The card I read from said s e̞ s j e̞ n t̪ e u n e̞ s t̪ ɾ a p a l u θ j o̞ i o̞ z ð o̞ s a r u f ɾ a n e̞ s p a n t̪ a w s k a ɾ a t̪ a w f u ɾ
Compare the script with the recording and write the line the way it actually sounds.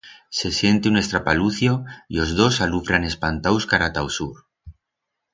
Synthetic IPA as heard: s e̞ s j e̞ n t̪ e u n e̞ s t̪ ɾ a p a l u θ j o̞ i o̞ z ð o̞ s a l u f ɾ a n e̞ s p a n t̪ a w s k a ɾ a t̪ a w s u ɾ